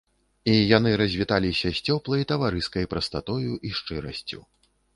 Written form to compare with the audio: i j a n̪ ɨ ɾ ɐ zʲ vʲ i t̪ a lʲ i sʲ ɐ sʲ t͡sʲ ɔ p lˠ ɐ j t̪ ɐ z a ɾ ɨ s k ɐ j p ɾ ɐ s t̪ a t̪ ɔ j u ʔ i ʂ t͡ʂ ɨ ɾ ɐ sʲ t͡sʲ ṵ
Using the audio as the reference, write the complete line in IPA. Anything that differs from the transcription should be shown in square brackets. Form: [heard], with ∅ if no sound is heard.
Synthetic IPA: i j a n̪ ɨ ɾ ɐ zʲ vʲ i t̪ a lʲ i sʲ ɐ sʲ t͡sʲ ɔ p lˠ ɐ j t̪ ɐ [v] a ɾ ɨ s k ɐ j p ɾ ɐ s t̪ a t̪ ɔ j u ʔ i ʂ t͡ʂ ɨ ɾ ɐ sʲ t͡sʲ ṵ